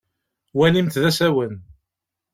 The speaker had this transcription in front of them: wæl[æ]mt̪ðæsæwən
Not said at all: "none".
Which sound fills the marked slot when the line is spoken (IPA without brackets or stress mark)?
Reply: i